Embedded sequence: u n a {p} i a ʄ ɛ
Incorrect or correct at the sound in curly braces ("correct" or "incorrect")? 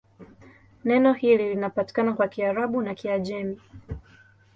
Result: incorrect